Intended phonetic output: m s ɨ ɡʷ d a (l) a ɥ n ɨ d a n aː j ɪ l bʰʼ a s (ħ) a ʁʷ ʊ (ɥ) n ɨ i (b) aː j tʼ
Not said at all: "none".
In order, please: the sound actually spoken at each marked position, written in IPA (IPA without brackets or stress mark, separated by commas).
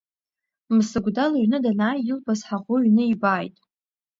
l, ħ, ɥ, b